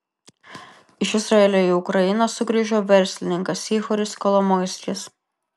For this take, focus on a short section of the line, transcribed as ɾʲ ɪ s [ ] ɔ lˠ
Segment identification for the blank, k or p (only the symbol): k